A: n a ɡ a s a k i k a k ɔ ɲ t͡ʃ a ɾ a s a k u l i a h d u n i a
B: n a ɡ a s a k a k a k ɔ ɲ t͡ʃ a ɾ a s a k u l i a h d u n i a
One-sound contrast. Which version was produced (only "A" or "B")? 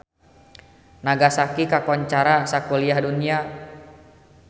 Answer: A